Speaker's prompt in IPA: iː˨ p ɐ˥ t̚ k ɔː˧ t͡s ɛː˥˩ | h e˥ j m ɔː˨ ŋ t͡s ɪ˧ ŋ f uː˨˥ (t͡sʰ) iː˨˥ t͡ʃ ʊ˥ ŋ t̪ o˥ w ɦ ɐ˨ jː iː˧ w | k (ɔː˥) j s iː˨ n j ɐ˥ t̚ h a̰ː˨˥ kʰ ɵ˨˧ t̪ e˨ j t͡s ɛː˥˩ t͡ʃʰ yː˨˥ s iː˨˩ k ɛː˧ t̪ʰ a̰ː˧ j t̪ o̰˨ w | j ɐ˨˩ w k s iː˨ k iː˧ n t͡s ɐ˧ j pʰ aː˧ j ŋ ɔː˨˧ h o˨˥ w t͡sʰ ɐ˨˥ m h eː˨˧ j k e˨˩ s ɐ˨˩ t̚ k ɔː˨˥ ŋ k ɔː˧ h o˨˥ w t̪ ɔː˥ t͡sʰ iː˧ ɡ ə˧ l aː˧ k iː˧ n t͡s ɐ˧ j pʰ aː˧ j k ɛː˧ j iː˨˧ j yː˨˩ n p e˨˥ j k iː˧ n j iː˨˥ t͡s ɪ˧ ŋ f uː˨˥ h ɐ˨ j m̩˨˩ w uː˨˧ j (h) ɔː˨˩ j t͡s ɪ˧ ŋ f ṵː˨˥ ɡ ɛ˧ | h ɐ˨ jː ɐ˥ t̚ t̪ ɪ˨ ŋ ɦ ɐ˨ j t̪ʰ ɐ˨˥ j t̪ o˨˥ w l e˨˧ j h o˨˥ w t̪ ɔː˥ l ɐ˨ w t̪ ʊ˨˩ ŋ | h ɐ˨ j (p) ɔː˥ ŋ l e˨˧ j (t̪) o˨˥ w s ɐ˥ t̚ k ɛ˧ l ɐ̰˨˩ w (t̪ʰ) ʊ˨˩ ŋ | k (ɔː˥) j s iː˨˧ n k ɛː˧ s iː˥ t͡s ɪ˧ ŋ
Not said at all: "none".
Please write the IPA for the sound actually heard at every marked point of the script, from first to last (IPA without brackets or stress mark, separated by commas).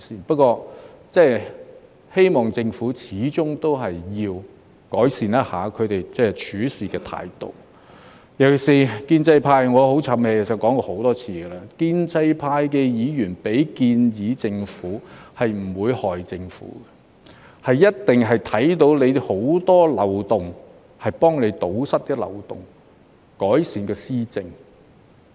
t͡sʰ, ɔː˨˥, h, p, t̪, t̪, ɔː˨˥